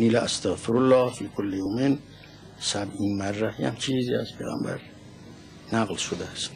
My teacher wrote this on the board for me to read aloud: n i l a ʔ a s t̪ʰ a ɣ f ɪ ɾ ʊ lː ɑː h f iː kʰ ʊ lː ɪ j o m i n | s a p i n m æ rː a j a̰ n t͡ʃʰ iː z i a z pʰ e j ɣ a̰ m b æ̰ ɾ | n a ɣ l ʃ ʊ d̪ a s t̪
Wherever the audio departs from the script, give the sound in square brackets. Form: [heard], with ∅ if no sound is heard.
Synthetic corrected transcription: n i l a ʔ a s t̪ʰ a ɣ f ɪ ɾ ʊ lː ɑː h f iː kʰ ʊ lː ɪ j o m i n | s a [b] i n m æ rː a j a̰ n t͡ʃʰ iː z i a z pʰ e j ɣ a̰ m b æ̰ ɾ | n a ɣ l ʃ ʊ d̪ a s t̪

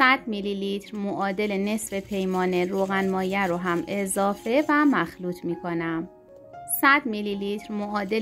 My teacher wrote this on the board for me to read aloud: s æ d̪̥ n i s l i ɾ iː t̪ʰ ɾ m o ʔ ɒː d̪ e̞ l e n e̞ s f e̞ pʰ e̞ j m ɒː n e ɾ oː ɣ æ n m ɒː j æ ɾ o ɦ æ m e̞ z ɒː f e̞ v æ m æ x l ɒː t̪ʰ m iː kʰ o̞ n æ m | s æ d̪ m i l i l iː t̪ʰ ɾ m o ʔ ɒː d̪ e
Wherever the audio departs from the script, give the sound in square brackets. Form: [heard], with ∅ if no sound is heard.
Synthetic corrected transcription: s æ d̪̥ [m] i [∅] l i [l] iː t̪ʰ ɾ m o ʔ ɒː d̪ e̞ l e n e̞ s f e̞ pʰ e̞ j m ɒː n e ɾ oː ɣ æ n m ɒː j æ ɾ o ɦ æ m e̞ z ɒː f e̞ v æ m æ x l [uː] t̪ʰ m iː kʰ o̞ n æ m | s æ d̪ m i l i l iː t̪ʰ ɾ m o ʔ ɒː d̪ e

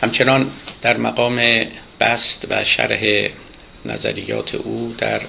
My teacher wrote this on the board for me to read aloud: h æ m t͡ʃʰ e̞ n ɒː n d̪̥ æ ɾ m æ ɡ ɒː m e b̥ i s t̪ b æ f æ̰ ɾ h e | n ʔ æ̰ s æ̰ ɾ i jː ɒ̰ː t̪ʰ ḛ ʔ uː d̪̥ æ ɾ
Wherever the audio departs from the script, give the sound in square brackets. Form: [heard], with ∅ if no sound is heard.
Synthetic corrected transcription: h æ m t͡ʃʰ e̞ n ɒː n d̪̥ æ ɾ m æ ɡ ɒː m e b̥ [æ] s t̪ [v] æ [ʃ] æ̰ ɾ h e | n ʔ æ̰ [z] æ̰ ɾ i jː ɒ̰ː t̪ʰ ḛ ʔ uː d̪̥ æ ɾ

